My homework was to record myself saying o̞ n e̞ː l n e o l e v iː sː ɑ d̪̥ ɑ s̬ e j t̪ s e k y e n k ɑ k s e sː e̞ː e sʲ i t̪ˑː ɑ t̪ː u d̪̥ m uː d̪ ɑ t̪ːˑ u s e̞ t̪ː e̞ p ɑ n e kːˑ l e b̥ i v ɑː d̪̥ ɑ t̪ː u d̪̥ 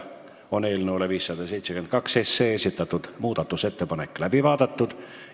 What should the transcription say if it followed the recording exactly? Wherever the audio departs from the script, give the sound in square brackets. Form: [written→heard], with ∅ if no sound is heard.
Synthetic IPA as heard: o̞ n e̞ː l n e o l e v iː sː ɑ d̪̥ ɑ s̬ e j t̪ s e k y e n k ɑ k s e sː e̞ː e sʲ i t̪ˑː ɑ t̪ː u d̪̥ m uː d̪ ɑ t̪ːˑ u s e̞ t̪ː e̞ p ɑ n e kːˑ l [e→æ] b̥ i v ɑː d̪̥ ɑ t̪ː u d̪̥